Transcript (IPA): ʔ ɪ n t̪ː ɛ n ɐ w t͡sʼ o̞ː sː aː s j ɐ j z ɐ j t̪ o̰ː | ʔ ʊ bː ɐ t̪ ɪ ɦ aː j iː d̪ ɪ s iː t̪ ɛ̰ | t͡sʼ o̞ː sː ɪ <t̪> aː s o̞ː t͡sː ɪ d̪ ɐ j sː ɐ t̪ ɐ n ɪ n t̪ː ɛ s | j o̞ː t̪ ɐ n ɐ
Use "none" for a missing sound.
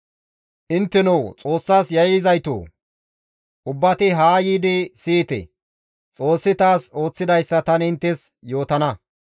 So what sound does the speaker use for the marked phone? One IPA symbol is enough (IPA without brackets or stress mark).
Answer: t̪